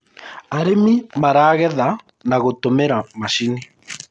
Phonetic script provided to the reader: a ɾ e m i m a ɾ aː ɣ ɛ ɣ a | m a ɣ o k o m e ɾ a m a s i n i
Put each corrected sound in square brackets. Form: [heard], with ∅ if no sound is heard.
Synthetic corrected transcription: a ɾ e m i m a ɾ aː ɣ ɛ [ð] a | [n] a ɣ o [t] o m e ɾ a m a [ʃ] i n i